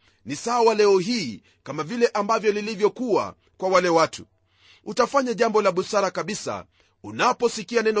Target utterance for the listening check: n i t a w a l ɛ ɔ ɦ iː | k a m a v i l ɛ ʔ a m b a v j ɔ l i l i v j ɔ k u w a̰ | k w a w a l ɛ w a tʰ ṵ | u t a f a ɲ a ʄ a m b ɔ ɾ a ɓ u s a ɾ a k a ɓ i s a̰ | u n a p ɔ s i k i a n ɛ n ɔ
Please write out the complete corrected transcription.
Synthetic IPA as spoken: n i s a w a l ɛ ɔ ɦ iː | k a m a v i l ɛ ʔ a m b a v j ɔ l i l i v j ɔ k u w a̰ | k w a w a l ɛ w a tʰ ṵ | u t a f a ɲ a ʄ a m b ɔ l a ɓ u s a ɾ a k a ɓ i s a̰ | u n a p ɔ s i k i a n ɛ n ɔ